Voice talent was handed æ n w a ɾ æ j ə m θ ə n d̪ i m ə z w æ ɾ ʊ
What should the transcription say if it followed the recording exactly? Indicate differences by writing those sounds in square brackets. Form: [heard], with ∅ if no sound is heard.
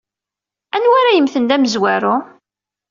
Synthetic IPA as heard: æ n w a ɾ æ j ə m θ ə n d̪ [æ] m ə z w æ ɾ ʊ